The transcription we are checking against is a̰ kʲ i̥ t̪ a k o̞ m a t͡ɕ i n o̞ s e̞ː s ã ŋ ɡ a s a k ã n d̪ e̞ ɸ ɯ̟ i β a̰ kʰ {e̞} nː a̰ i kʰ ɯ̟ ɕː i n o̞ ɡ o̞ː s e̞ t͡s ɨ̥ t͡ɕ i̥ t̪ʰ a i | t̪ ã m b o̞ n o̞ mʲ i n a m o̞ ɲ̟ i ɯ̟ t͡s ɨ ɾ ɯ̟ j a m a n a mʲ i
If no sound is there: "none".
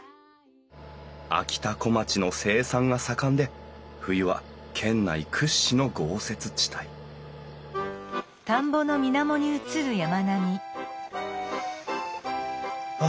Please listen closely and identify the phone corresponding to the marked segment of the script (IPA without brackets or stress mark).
ẽ̞